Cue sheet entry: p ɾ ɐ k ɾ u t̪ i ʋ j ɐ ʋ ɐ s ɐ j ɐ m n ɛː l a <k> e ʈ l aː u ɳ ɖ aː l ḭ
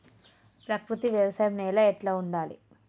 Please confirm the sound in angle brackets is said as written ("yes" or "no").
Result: no